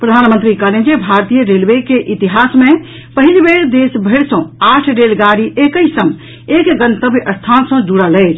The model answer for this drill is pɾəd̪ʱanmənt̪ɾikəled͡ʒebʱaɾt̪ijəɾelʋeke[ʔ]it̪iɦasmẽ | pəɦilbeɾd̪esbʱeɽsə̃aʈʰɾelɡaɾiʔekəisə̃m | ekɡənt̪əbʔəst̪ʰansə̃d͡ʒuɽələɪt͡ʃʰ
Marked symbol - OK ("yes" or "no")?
yes